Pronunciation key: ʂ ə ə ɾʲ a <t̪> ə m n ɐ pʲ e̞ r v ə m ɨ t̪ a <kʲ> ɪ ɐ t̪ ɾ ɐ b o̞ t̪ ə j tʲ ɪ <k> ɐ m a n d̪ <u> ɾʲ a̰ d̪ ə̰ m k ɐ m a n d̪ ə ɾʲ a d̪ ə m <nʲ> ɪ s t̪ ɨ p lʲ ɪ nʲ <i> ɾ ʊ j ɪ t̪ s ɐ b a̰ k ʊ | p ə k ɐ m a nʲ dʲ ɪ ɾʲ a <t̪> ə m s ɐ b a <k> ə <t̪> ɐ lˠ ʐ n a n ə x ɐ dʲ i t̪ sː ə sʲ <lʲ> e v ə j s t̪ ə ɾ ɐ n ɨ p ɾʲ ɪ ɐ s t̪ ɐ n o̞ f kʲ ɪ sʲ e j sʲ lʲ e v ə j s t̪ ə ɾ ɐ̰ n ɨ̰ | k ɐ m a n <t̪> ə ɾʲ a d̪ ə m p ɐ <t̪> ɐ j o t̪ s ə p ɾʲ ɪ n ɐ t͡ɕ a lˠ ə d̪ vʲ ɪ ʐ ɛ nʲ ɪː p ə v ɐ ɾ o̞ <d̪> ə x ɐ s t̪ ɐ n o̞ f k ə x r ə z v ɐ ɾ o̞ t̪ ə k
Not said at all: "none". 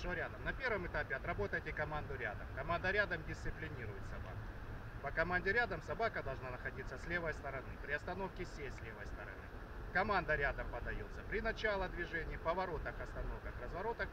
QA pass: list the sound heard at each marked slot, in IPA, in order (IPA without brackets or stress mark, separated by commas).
d̪, pʲ, k, ʊ, dʲ, i, d̪, k, d̪, lʲ, d̪, d̪, t̪